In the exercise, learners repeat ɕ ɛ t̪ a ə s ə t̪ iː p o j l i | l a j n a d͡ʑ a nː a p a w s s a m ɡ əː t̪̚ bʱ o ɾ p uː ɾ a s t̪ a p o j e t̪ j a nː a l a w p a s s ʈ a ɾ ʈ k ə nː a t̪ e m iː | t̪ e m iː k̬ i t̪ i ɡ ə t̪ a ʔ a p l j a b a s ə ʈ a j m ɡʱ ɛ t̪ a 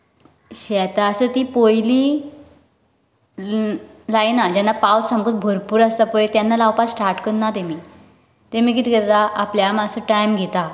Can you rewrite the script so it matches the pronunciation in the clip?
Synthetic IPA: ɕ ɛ t̪ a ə s ə t̪ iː p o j l i | l a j n a d͡ʑ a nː a p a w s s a m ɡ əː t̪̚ bʱ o ɾ p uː ɾ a s t̪ a p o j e t̪ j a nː a l a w p a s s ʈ a ɾ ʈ k ə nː a t̪ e m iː | t̪ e m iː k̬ i t̪ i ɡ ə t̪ a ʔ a p l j a m a s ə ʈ a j m ɡʱ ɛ t̪ a